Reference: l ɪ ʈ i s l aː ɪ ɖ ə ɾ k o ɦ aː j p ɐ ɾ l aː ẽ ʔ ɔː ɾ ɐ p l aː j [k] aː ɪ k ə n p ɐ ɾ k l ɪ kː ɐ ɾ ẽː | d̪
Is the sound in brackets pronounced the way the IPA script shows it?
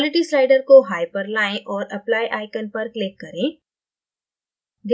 no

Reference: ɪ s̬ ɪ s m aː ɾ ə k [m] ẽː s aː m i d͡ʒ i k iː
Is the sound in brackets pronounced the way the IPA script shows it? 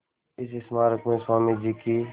yes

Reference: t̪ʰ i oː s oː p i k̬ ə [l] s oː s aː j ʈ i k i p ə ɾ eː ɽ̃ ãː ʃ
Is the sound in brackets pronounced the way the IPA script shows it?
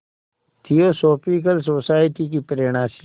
yes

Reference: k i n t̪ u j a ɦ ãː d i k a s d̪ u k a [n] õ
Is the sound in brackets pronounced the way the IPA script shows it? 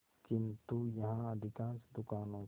yes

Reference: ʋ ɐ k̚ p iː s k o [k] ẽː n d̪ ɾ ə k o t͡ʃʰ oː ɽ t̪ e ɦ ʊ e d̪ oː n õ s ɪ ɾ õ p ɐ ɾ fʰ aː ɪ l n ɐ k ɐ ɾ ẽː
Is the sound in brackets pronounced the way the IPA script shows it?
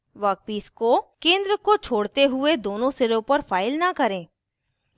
yes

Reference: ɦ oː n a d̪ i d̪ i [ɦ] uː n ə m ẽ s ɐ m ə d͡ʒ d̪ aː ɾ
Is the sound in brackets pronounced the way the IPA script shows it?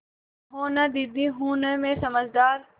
yes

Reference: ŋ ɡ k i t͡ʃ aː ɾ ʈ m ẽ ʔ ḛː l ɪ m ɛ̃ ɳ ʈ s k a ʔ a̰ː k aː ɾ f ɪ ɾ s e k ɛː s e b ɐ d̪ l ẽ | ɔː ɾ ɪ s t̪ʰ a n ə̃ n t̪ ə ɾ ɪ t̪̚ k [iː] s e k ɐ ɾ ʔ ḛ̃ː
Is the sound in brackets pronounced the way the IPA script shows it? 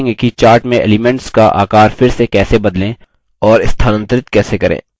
no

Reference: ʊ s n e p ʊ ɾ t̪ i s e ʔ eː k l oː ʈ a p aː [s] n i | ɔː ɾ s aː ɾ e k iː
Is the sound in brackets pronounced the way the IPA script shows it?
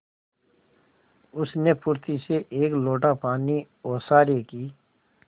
no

